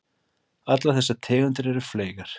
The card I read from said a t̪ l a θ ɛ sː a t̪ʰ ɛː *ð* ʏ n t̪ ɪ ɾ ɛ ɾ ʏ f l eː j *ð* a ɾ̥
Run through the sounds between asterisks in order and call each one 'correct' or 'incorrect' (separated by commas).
incorrect, incorrect